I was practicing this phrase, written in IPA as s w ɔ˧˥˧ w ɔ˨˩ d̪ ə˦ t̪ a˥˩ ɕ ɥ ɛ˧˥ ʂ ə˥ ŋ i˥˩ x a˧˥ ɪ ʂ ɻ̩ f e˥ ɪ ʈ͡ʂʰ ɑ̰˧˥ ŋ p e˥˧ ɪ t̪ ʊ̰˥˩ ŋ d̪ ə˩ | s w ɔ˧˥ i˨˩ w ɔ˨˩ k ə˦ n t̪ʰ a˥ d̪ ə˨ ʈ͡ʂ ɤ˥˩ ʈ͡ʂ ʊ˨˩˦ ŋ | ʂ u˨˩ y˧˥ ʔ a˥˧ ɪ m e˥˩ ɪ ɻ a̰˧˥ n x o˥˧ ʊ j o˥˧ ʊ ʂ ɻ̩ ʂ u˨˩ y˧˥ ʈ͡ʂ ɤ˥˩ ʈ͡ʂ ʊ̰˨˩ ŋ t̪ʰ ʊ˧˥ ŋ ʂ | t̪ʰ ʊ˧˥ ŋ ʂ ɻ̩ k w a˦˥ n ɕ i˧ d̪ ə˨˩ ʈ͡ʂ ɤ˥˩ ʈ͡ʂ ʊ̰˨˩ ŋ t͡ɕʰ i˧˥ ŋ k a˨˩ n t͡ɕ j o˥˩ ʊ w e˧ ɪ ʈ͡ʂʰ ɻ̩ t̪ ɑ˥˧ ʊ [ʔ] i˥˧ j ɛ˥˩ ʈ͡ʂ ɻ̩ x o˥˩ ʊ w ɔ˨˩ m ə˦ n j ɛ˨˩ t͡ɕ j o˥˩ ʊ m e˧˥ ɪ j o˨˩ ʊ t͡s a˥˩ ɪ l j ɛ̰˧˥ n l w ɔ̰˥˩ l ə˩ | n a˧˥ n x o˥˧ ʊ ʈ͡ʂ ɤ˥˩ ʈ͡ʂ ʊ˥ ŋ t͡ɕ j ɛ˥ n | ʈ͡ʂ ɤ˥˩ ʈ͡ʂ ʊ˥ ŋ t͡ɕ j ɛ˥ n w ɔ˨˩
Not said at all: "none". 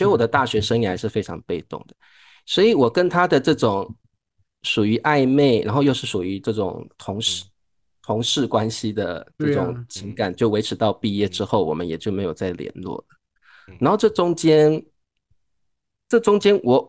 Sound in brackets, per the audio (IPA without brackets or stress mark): p